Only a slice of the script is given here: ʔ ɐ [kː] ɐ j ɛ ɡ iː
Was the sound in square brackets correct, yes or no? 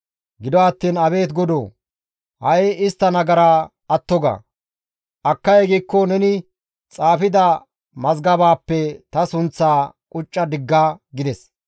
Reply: yes